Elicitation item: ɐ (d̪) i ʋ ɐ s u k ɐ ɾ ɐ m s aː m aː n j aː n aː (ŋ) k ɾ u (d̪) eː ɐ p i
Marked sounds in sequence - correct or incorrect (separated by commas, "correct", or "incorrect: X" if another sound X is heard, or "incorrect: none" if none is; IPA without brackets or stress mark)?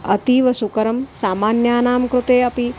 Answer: incorrect: t̪, incorrect: m, incorrect: t̪